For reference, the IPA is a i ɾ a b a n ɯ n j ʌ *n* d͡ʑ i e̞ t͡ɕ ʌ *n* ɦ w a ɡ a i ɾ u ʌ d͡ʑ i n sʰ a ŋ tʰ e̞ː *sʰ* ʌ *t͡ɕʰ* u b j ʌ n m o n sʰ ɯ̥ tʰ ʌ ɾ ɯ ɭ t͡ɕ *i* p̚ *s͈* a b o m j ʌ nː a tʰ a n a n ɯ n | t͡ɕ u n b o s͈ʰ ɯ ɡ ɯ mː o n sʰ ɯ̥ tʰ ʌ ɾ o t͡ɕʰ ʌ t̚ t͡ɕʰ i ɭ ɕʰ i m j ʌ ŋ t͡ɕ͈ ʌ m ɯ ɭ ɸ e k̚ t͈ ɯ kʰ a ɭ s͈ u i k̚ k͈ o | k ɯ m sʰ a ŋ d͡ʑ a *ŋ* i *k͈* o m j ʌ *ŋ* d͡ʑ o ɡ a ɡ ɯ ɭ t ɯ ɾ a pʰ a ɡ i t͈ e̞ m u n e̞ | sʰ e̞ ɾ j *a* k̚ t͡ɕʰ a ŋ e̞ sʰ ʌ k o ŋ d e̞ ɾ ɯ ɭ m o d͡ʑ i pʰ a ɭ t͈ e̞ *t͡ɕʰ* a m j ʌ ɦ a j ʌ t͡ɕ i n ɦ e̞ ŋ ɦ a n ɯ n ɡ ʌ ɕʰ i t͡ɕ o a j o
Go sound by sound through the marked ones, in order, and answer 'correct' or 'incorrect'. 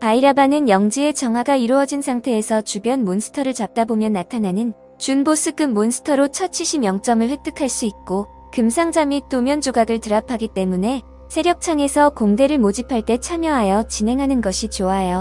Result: incorrect, incorrect, correct, incorrect, incorrect, incorrect, incorrect, incorrect, incorrect, incorrect, correct

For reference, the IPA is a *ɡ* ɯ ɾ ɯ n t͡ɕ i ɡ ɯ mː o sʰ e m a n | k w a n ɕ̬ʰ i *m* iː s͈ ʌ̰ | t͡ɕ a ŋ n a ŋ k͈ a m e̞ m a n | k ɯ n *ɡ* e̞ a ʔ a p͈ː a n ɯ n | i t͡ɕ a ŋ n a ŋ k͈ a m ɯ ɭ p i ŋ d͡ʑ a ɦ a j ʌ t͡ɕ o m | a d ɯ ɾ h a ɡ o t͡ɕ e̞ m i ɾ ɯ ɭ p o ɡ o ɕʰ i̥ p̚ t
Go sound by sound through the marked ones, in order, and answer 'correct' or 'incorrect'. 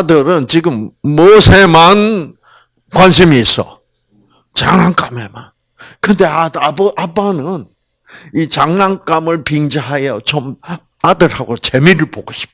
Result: incorrect, correct, incorrect

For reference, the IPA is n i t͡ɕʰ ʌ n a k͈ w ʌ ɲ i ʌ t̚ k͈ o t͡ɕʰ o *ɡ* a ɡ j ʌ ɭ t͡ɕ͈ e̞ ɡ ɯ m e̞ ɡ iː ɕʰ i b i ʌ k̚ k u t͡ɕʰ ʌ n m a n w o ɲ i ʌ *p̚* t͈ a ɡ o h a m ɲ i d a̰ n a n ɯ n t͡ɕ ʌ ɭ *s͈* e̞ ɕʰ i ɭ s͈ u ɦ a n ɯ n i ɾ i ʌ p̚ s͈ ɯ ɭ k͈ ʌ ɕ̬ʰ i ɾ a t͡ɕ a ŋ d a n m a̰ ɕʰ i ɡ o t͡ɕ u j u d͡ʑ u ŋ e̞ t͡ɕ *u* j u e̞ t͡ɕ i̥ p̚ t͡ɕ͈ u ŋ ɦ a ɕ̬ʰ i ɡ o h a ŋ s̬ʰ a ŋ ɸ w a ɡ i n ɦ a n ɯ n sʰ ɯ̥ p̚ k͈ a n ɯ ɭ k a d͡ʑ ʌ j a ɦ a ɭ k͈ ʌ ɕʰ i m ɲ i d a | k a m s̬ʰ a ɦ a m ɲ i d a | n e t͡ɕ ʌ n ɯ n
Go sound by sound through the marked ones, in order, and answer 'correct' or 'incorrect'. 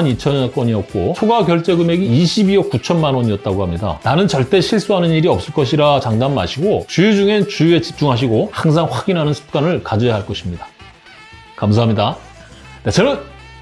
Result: correct, incorrect, incorrect, correct

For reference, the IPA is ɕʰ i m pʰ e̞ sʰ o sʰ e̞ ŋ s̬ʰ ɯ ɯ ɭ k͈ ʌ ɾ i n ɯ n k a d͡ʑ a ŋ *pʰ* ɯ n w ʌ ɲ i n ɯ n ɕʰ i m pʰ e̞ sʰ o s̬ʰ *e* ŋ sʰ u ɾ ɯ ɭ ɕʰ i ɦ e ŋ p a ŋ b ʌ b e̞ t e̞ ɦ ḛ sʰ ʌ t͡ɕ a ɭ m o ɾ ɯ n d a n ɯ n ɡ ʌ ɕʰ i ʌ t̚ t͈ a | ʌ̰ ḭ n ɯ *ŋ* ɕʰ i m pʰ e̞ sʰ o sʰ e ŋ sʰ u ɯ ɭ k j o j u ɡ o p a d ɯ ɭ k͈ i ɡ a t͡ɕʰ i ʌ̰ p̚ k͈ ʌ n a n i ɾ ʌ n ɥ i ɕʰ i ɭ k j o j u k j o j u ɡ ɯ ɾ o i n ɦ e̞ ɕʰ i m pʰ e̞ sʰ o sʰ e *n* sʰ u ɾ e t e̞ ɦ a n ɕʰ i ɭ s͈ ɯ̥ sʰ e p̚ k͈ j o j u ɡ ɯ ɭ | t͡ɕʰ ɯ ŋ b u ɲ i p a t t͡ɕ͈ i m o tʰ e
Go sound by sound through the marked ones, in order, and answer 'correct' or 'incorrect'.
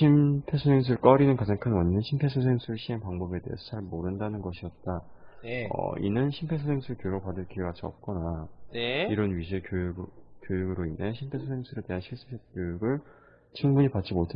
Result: incorrect, correct, incorrect, incorrect

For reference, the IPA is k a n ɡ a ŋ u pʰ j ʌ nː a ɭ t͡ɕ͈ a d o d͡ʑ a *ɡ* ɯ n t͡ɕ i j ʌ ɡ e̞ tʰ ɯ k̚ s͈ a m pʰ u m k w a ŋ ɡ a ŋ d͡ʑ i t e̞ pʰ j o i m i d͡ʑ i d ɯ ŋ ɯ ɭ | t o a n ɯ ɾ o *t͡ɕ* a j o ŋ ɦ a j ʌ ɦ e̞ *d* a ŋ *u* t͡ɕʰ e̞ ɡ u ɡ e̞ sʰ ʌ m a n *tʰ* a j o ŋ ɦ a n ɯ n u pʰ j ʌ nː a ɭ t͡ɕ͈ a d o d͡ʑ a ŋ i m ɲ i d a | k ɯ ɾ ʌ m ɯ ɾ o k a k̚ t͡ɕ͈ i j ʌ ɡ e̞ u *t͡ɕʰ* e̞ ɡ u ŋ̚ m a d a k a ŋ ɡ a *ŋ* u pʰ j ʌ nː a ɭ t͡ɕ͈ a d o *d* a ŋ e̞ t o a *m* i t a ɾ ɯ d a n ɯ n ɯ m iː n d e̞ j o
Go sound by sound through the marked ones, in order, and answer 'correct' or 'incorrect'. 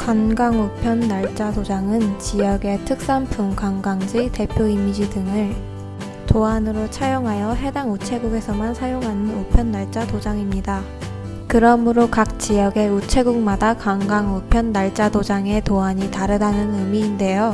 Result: incorrect, incorrect, correct, correct, incorrect, correct, correct, incorrect, incorrect

